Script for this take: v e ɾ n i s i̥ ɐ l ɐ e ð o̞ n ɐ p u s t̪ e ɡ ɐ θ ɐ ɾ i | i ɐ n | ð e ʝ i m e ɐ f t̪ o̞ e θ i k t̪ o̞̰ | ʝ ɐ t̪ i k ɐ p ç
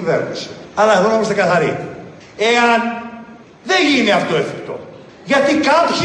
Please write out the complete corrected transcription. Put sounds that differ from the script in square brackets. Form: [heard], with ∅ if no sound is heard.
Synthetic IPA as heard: v e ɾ n i s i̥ ɐ l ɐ e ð o̞ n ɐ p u s t̪ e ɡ ɐ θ ɐ ɾ i | [e] ɐ n | ð e ʝ i [n] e ɐ f t̪ o̞ e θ i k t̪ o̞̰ | ʝ ɐ t̪ i k ɐ p ç